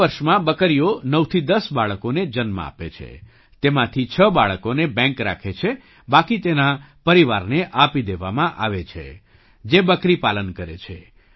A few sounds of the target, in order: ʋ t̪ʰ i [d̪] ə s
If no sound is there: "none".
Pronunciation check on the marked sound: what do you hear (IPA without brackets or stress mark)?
d̪